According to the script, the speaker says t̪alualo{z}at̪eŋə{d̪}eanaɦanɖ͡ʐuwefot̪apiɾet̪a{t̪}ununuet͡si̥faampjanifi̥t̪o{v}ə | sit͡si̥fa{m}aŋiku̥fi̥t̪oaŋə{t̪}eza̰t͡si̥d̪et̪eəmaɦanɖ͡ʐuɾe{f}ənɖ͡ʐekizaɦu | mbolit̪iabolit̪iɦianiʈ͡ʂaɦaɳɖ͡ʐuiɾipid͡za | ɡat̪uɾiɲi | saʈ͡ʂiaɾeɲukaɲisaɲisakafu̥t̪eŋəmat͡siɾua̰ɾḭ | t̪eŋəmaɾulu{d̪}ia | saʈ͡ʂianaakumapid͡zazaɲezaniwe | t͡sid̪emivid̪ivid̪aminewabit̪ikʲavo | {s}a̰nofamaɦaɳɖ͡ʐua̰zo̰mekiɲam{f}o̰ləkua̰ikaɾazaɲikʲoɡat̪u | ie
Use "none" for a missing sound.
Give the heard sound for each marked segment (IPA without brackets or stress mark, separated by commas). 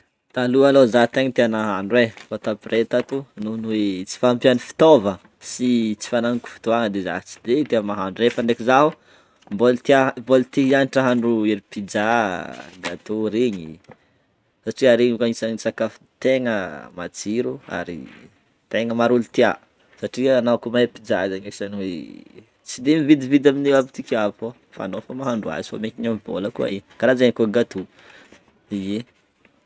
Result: z, t̪, t̪, v, n, d̪, f, t̪, f, v